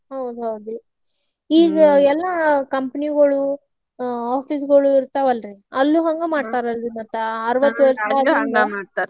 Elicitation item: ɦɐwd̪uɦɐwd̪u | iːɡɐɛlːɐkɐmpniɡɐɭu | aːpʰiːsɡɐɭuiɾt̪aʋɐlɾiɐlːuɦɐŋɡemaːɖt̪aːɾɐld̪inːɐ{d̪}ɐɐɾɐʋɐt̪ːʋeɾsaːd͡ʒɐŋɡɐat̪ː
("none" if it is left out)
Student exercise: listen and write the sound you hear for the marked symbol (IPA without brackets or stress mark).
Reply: t̪